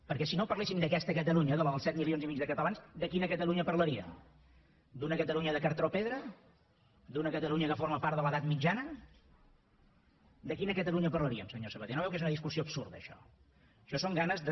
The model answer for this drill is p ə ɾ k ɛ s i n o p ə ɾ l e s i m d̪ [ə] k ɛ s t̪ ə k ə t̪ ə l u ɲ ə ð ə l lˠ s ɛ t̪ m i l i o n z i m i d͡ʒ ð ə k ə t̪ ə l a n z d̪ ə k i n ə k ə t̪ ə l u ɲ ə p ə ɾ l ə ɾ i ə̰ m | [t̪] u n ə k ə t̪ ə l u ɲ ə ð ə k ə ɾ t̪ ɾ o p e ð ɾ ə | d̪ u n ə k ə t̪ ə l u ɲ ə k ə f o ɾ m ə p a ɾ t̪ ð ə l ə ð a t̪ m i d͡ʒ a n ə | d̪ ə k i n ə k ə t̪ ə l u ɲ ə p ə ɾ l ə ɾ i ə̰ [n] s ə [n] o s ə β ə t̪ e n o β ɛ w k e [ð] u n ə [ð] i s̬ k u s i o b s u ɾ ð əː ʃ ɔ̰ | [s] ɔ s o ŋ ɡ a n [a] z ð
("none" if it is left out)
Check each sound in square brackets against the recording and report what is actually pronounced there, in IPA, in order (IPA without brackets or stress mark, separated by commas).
ə, d̪, m, ɲ, z, ð, ʃ, ə